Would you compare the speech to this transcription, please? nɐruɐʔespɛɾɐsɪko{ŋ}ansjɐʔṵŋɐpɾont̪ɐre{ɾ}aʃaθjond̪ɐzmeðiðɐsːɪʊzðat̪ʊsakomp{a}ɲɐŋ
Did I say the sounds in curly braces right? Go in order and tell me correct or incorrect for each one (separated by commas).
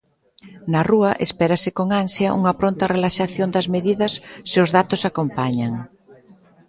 correct, incorrect, correct